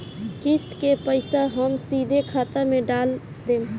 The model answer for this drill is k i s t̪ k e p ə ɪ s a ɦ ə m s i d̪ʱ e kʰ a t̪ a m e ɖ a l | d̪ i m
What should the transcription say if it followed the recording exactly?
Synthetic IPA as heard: k i s t̪ k e p ə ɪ s a ɦ ə m s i d̪ʱ e kʰ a t̪ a m e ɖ a l | d̪ e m